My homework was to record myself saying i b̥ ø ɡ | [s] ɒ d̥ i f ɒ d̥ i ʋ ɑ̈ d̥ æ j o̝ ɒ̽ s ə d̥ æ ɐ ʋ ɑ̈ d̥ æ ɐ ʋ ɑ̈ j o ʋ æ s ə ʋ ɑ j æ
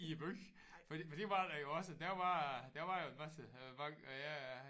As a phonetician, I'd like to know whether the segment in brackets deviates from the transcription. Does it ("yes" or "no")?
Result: yes